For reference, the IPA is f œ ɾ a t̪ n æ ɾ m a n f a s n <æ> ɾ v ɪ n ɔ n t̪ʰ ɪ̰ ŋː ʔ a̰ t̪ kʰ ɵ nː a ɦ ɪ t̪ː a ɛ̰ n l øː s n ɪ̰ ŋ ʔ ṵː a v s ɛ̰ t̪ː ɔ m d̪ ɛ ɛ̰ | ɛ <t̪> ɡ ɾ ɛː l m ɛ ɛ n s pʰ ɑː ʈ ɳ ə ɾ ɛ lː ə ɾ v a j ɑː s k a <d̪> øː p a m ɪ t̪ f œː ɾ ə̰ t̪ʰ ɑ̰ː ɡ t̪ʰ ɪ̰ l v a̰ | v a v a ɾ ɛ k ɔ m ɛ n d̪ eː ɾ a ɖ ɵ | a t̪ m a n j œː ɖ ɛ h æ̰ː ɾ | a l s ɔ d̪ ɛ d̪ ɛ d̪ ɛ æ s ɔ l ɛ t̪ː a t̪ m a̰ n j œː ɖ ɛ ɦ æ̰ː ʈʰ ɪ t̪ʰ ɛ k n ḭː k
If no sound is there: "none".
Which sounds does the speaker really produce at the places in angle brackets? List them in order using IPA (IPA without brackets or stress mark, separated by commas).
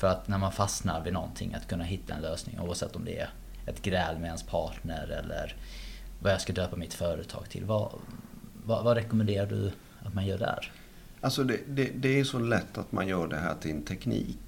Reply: a, t̪, d̪